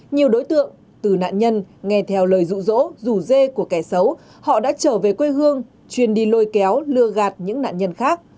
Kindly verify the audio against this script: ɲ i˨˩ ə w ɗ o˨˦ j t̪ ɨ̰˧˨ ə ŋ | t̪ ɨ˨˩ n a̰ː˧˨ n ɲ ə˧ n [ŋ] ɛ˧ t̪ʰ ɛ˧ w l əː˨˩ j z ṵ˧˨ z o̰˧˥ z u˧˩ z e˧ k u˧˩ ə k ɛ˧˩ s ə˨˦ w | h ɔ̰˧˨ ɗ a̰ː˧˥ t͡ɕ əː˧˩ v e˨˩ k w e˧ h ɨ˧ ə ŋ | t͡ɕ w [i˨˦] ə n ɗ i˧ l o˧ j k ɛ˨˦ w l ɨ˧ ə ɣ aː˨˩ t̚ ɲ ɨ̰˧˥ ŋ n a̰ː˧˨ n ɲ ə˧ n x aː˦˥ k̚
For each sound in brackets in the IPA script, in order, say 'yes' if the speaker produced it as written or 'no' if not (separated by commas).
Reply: yes, no